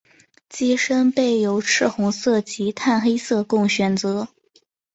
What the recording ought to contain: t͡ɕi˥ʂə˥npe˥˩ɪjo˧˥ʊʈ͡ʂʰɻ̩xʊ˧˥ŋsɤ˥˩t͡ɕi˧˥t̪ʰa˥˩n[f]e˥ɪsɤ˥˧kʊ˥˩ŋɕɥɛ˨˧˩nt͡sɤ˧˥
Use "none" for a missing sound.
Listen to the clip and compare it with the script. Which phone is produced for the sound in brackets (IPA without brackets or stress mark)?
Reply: x